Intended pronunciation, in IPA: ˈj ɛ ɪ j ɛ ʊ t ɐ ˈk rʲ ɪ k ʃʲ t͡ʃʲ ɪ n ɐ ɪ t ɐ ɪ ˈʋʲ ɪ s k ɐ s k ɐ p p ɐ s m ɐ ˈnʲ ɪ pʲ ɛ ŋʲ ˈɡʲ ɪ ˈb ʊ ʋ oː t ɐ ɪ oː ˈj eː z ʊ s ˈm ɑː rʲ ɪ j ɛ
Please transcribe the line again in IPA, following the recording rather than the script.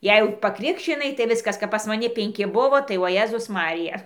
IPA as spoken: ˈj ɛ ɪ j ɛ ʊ p ɐ ˈk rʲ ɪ k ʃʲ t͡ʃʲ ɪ n ɐ ɪ t ɐ ɪ ˈʋʲ ɪ s k ɐ s k ɐ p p ɐ s m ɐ ˈnʲ ɪ pʲ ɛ ŋʲ ˈkʲ ɪ ˈb ʊ ʋ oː t ɐ ɪ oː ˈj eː z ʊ s ˈm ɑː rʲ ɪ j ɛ